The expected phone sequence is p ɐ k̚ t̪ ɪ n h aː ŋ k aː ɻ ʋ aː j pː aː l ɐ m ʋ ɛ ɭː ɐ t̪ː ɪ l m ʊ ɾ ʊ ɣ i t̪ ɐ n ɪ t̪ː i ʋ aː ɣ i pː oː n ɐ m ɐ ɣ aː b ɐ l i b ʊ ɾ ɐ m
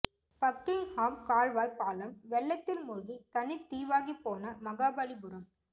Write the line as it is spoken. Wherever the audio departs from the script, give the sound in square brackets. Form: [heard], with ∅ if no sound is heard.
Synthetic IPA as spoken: p ɐ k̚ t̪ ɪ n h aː [m] k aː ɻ ʋ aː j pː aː l ɐ m ʋ ɛ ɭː ɐ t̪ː ɪ l m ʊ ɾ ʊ ɣ i t̪ ɐ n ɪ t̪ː [iː] ʋ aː ɣ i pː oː n ɐ m ɐ ɣ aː b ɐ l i b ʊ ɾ ɐ m

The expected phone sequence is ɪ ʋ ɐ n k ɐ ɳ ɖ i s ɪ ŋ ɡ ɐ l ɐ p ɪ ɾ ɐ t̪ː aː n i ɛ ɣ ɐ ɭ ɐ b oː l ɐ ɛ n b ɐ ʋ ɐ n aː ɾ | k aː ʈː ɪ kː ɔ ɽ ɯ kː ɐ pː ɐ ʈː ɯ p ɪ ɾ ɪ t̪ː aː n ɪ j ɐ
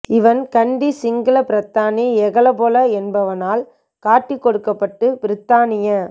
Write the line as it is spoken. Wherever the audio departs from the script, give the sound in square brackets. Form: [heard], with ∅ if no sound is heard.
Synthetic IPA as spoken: ɪ ʋ ɐ n k ɐ ɳ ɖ i s ɪ ŋ ɡ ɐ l ɐ p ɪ ɾ ɐ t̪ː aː n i ɛ ɣ ɐ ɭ ɐ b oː l ɐ ɛ n b ɐ ʋ ɐ n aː [l] | k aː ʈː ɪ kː ɔ ɽ ɯ kː ɐ pː ɐ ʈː ɯ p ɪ ɾ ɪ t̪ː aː n ɪ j ɐ

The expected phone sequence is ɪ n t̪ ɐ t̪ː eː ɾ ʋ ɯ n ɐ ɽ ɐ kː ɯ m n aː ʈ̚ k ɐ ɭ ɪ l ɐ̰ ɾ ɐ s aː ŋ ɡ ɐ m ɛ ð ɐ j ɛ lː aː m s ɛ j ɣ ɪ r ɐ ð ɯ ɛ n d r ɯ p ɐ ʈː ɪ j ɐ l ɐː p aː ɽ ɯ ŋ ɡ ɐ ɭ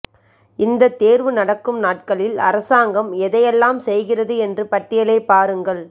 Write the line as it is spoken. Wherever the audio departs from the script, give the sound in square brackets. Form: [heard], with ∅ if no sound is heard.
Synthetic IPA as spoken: ɪ n [d̪] ɐ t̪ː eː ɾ ʋ ɯ n ɐ ɽ ɐ kː ɯ m n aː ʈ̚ k ɐ ɭ ɪ l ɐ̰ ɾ ɐ s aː ŋ ɡ ɐ m ɛ ð ɐ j ɛ lː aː m s ɛ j ɣ ɪ r ɐ ð ɯ ɛ n d r ɯ p ɐ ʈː ɪ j ɐ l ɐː p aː [ɾ] ɯ ŋ ɡ ɐ ɭ

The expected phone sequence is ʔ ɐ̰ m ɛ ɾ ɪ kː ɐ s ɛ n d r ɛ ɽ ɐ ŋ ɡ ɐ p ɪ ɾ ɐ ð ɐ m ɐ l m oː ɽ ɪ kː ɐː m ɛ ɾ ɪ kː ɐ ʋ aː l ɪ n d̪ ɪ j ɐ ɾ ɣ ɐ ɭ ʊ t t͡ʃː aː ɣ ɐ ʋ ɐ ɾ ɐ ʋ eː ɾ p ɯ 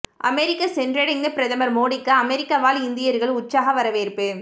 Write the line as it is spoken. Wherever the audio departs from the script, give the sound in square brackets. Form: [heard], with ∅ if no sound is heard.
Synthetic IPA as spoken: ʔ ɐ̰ m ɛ ɾ ɪ kː ɐ s ɛ n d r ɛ ɽ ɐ ŋ ɡ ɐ p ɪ ɾ ɐ ð ɐ m ɐ [ɾ] m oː ɽ ɪ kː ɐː m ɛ ɾ ɪ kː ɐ ʋ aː l ɪ n d̪ ɪ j ɐ ɾ ɣ ɐ ɭ ʊ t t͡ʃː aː ɣ ɐ ʋ ɐ ɾ ɐ ʋ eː ɾ p ɯ

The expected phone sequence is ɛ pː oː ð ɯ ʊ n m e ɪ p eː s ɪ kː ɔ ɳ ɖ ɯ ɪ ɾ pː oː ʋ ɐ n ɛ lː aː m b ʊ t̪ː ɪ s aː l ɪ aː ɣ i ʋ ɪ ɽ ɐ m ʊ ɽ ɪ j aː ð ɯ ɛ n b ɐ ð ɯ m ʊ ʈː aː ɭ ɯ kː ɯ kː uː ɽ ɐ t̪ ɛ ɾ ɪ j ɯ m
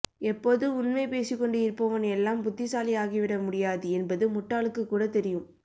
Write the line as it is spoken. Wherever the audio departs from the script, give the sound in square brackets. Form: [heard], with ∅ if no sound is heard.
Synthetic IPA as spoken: ɛ pː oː ð ɯ ʊ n m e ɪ p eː s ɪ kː ɔ ɳ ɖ ɯ ɪ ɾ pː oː ʋ ɐ n ɛ lː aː m b ʊ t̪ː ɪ s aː l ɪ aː ɣ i ʋ ɪ ɽ ɐ m ʊ ɽ ɪ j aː ð ɯ ɛ n b ɐ ð ɯ m ʊ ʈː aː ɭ ɯ kː ɯ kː uː ɽ ɐ t̪ ɛ ɾ ɪ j ɯ m

